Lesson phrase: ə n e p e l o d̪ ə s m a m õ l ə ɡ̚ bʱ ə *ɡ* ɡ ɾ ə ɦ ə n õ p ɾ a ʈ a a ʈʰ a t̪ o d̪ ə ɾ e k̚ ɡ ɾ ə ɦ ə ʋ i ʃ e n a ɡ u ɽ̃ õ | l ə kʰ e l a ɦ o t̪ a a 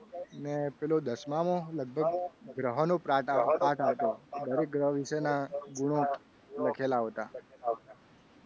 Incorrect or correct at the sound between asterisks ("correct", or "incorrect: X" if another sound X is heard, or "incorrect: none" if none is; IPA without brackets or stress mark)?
correct